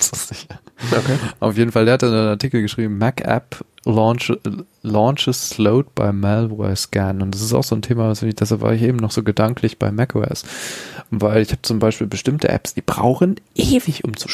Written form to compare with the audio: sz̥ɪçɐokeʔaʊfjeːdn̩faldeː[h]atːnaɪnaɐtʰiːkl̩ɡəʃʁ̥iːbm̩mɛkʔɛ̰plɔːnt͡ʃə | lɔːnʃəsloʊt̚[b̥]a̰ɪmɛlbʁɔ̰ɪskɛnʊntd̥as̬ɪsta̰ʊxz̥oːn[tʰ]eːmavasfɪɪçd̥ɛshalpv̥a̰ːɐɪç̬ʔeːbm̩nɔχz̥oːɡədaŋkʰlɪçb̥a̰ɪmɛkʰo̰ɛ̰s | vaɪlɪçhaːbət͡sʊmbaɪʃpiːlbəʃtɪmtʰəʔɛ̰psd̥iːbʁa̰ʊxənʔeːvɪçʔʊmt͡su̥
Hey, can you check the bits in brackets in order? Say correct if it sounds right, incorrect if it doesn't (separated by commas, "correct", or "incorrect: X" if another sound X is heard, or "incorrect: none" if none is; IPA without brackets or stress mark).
correct, correct, correct